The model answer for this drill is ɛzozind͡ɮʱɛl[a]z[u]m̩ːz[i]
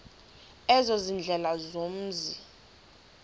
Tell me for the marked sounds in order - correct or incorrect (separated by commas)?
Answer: correct, incorrect, correct